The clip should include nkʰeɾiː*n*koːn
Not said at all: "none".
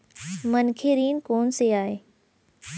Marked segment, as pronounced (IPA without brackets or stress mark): n